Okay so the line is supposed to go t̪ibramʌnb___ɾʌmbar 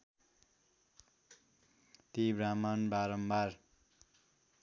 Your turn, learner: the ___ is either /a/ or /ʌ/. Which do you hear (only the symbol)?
a